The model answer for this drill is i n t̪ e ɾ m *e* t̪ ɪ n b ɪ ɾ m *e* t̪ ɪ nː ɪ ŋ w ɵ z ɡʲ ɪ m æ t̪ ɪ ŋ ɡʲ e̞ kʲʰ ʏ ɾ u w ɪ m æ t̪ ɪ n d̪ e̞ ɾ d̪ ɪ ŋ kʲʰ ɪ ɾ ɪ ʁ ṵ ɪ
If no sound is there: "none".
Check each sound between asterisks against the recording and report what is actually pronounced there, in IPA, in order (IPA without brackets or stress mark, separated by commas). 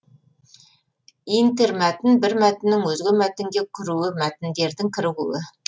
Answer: æ, æ